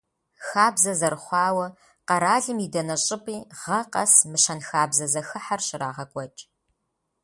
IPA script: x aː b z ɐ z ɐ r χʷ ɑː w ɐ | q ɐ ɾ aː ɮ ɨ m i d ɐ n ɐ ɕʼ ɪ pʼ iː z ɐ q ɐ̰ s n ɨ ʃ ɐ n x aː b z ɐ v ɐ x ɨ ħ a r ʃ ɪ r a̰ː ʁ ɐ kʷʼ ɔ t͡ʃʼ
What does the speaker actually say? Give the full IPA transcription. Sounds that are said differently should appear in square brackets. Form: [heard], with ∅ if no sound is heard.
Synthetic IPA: x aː b z ɐ z ɐ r χʷ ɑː w ɐ | q ɐ ɾ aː ɮ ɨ m i d ɐ n ɐ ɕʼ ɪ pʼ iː [ʁ] ɐ q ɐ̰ s [m] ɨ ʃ ɐ n x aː b z ɐ [z] ɐ x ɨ ħ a r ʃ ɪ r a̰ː ʁ ɐ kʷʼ ɔ t͡ʃʼ